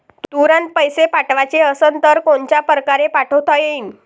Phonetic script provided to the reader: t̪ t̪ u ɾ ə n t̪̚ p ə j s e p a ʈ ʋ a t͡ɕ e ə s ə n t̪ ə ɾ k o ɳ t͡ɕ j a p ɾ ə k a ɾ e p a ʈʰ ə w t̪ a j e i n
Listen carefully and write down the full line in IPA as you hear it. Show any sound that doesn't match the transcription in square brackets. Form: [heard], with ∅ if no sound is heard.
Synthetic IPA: t̪ t̪ u ɾ ə n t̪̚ p ə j s e p a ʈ ʋ a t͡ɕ e ə s ə n t̪ ə ɾ k o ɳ t͡ɕ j a p ɾ ə k a ɾ e p a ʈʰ ə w t̪ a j e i n